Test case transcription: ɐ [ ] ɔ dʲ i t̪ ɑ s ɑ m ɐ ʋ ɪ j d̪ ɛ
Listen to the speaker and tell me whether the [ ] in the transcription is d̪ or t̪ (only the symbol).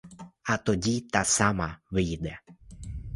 t̪